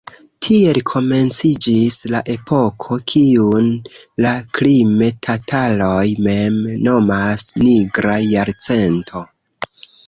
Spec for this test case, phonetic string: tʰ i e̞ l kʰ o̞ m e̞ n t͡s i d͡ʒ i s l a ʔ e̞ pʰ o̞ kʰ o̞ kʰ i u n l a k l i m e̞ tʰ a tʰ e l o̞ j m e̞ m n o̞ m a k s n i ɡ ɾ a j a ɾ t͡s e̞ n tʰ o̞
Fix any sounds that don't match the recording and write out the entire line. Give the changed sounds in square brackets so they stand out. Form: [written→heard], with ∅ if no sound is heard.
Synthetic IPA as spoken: tʰ i e̞ l kʰ o̞ m e̞ n t͡s i d͡ʒ i s l a ʔ e̞ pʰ o̞ kʰ o̞ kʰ i u n l a k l i m e̞ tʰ a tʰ [e→a] l o̞ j m e̞ m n o̞ m a [k→∅] s n i ɡ ɾ a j a ɾ t͡s e̞ n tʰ o̞